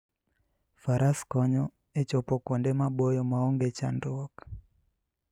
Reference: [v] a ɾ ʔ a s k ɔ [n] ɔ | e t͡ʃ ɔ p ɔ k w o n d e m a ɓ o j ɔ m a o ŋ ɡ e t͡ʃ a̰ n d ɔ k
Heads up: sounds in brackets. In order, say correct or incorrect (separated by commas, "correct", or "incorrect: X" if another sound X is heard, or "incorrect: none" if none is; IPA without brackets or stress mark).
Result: incorrect: f, incorrect: ɲ